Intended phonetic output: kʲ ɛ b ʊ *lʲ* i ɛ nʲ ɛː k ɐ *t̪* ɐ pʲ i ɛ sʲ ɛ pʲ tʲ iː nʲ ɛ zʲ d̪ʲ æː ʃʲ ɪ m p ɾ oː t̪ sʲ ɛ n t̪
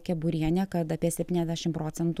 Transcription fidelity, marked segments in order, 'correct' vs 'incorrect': incorrect: ɾʲ, correct

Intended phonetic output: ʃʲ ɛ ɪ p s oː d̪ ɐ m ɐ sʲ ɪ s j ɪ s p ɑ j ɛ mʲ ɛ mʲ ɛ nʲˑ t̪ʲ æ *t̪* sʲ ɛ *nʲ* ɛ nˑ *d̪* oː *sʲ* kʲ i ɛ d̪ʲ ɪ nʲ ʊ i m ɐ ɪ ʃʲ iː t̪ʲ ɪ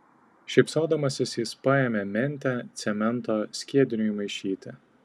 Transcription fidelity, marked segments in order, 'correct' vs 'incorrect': correct, incorrect: mʲ, incorrect: t̪, correct

